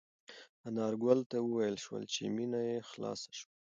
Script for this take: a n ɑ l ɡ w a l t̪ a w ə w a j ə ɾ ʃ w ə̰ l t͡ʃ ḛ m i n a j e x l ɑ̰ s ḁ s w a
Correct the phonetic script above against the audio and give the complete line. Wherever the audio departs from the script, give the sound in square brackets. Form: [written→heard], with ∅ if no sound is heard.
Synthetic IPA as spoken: a n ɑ [l→ɾ] ɡ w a l t̪ a w ə w a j ə [ɾ→l] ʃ w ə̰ l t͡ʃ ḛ m i n a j e x l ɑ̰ s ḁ [s→ʃ] w a